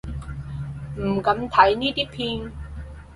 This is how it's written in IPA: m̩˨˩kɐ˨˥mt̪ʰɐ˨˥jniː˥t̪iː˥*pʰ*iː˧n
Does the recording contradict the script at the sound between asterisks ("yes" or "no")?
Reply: no